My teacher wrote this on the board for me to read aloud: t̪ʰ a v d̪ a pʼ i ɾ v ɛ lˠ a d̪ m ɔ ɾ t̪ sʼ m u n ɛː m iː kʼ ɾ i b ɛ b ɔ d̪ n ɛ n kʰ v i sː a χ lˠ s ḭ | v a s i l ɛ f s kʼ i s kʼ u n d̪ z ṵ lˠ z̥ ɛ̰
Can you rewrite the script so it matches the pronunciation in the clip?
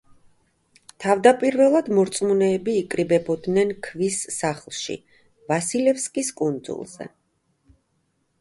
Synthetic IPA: t̪ʰ a v d̪ a pʼ i ɾ v ɛ lˠ a d̪ m ɔ ɾ t̪ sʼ m u n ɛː b iː kʼ ɾ i b ɛ b ɔ d̪ n ɛ n kʰ v i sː a χ lˠ ʃ ḭ | v a s i l ɛ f s kʼ i s kʼ u n d̪ z ṵ lˠ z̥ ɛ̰